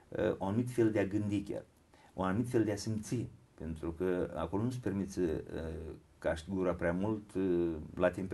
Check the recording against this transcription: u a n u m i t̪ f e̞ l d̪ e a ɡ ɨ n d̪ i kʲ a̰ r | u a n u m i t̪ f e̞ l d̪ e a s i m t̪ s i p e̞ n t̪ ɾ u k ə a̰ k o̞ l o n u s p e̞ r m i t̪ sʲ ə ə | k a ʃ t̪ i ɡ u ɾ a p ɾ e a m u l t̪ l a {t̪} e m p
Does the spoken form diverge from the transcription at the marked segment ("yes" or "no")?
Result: no